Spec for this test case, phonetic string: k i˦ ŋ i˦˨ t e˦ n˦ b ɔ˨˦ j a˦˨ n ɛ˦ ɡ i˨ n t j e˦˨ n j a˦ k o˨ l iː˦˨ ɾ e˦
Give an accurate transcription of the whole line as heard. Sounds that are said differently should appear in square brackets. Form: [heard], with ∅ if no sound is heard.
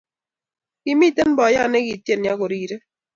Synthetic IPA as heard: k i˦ [m] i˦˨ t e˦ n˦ b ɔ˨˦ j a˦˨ n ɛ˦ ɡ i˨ [∅] t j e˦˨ n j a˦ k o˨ [ɾ] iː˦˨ ɾ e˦